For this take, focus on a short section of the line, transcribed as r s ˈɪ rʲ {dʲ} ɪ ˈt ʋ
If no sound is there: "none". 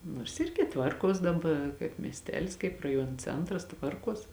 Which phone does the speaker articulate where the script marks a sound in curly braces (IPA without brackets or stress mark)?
ɡʲ